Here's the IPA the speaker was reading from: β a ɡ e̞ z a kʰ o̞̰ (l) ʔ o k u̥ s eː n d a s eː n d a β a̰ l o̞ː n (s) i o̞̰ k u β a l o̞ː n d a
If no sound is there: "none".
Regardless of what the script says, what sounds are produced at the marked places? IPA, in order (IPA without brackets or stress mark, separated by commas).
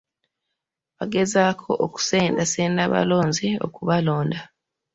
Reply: none, z